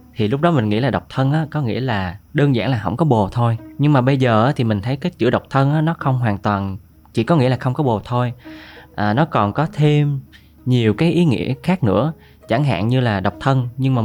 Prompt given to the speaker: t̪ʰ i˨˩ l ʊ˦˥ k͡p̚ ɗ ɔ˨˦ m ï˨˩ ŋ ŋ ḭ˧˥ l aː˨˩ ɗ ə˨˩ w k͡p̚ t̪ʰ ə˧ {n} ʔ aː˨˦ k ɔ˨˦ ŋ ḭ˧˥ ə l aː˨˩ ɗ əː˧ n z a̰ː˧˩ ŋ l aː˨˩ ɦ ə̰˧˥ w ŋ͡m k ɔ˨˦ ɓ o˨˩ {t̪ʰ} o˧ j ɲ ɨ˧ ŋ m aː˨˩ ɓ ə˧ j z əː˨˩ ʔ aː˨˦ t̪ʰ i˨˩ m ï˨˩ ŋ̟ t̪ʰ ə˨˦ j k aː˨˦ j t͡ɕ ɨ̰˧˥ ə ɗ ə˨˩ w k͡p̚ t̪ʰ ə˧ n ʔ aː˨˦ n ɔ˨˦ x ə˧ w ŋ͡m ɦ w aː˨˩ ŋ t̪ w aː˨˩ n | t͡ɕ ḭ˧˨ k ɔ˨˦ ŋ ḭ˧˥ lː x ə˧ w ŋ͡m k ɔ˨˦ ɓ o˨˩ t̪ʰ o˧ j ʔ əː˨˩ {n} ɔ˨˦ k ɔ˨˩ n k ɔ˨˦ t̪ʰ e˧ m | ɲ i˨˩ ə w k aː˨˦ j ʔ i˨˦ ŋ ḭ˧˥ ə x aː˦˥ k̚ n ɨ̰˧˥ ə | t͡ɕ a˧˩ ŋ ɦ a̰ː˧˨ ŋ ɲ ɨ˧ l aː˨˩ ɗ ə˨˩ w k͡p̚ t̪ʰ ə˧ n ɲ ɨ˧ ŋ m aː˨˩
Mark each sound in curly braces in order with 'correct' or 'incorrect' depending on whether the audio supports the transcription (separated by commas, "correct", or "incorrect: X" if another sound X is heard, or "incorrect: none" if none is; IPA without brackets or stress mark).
correct, correct, correct